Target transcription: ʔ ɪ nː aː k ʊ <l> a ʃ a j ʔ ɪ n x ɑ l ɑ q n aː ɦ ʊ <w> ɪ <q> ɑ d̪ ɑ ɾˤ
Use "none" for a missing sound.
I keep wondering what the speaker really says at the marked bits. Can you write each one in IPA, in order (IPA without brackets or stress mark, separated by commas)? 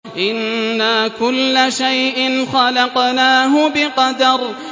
lː, b, q